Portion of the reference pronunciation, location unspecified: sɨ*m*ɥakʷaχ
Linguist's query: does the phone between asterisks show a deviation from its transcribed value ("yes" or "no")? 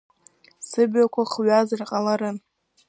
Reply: yes